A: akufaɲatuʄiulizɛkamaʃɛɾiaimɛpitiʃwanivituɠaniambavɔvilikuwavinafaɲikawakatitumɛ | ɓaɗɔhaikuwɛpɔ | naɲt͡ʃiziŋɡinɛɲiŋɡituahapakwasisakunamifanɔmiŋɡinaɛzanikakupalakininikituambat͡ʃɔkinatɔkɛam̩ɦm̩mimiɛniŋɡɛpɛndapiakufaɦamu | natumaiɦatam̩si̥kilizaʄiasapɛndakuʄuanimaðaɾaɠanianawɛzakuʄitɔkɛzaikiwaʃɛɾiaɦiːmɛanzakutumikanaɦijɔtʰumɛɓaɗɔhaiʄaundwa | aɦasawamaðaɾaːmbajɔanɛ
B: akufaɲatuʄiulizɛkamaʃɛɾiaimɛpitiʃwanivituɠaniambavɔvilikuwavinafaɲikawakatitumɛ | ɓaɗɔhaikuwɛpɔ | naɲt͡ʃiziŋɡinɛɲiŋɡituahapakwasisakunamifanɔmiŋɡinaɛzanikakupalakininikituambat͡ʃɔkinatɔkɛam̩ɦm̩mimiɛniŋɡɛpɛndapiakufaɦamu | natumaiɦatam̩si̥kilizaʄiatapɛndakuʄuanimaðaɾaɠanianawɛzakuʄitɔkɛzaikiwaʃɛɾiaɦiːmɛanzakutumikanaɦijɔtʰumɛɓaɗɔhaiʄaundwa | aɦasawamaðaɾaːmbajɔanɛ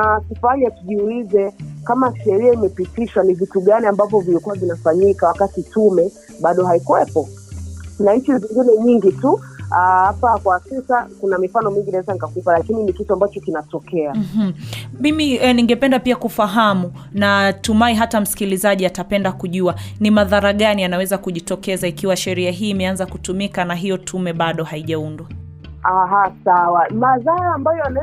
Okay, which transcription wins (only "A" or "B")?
B